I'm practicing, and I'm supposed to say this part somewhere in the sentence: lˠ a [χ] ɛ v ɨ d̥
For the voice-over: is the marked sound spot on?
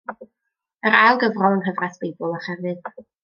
yes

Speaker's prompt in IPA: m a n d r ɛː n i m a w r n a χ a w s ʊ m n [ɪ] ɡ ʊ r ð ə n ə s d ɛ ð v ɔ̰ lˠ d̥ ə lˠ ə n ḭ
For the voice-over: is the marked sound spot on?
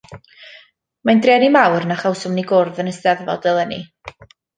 no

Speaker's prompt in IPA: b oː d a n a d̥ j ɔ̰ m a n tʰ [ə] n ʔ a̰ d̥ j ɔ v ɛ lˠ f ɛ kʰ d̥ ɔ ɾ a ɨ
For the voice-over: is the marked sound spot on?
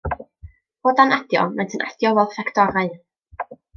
yes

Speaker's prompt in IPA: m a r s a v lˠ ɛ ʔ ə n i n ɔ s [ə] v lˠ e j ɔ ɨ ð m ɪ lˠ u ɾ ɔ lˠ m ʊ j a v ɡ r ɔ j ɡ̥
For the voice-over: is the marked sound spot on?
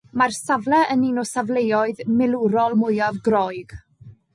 no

